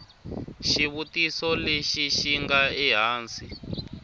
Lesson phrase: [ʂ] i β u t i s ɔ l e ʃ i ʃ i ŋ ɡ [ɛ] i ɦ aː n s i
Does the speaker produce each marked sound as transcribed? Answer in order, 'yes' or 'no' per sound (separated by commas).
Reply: no, no